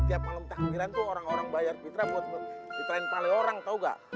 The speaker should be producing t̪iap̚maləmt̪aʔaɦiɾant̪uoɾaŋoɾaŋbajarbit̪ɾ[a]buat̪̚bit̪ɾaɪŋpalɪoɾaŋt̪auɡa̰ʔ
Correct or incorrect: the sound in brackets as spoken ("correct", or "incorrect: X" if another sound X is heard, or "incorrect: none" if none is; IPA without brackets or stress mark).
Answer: correct